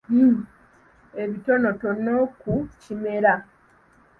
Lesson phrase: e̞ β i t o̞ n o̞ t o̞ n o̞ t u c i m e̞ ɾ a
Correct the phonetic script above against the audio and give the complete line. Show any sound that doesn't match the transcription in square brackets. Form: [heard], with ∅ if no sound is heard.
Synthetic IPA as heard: e̞ β i t o̞ n o̞ t o̞ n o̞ [k] u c i m e̞ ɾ a